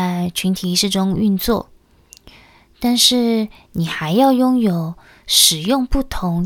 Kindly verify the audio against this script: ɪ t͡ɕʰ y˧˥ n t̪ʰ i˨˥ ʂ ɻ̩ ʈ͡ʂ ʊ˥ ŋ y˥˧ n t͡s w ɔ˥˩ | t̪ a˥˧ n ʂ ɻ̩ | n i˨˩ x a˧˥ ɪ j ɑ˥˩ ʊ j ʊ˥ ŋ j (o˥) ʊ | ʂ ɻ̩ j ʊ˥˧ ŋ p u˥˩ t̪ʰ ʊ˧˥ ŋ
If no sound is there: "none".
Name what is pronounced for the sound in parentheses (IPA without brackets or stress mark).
o˨˩